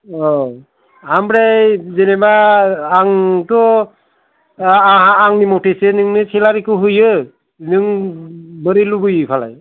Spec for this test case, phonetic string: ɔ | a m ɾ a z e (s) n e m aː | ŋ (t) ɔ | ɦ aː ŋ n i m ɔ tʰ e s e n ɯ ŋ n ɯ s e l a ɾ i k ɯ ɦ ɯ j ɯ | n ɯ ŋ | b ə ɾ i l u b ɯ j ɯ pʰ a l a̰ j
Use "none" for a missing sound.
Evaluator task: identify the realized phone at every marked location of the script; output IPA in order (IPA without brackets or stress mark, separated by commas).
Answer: none, t